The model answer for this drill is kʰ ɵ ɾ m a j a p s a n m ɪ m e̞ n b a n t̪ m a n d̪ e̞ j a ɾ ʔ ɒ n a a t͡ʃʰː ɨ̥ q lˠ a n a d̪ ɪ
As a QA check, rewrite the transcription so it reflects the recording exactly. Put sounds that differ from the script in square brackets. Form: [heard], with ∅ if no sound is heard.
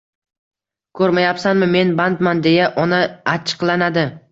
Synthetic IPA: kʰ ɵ ɾ m a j a p s a n m ɪ m e̞ n b a n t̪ m a n d̪ e̞ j a [∅] ʔ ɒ n a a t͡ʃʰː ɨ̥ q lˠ a n a d̪ ɪ